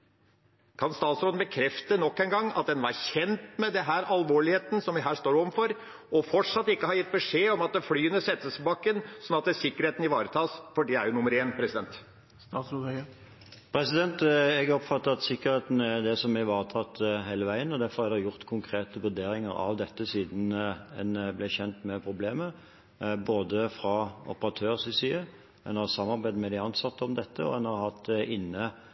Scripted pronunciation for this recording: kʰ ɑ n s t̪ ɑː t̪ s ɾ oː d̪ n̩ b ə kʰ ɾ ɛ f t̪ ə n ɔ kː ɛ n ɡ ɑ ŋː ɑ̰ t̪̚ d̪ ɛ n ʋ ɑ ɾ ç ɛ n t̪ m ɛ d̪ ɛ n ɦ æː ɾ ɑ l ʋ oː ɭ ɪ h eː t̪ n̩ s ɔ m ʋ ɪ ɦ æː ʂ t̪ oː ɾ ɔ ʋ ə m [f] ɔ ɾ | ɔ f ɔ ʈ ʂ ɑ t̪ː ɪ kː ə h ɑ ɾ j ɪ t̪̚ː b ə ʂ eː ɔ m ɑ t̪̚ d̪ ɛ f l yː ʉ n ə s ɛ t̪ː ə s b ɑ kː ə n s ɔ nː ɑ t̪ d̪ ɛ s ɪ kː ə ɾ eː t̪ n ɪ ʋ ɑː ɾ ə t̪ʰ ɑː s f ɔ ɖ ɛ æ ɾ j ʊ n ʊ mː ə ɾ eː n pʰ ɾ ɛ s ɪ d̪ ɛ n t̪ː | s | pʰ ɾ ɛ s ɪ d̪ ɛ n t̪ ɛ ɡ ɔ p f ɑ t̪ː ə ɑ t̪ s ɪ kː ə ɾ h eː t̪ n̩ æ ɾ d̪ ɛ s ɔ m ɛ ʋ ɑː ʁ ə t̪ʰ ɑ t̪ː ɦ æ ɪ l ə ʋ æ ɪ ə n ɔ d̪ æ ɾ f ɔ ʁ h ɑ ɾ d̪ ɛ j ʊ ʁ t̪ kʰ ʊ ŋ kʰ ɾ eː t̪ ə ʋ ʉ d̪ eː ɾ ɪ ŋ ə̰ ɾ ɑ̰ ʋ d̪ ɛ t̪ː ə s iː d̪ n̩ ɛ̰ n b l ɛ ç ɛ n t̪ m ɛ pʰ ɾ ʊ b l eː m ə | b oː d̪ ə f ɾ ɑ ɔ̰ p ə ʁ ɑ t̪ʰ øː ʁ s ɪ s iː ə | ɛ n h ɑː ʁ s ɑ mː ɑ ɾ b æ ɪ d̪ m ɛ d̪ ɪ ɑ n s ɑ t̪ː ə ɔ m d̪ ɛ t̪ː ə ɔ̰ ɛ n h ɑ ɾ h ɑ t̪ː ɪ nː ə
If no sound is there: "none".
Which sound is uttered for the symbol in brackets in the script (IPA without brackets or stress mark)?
f